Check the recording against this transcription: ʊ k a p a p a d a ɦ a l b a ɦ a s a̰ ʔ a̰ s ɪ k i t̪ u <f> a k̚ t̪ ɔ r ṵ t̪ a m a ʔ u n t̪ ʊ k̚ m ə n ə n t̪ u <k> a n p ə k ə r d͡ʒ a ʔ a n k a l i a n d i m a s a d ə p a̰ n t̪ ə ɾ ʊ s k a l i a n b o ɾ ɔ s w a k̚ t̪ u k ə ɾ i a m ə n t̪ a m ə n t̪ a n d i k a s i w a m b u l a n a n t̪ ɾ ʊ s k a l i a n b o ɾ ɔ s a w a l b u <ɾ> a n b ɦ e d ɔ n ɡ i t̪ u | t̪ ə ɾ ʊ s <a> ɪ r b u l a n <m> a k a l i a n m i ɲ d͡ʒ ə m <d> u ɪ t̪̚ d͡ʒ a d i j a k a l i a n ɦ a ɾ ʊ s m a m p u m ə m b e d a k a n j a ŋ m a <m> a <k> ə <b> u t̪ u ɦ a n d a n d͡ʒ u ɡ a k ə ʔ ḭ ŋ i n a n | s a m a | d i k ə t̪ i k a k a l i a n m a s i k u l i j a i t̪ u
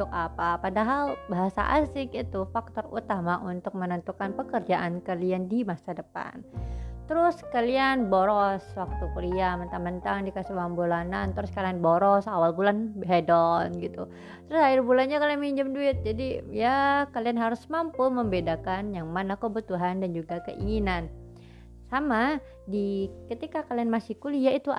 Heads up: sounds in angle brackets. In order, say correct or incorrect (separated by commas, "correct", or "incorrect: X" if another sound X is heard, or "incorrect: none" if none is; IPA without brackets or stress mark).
correct, correct, incorrect: l, correct, incorrect: ɲ, correct, incorrect: n, correct, correct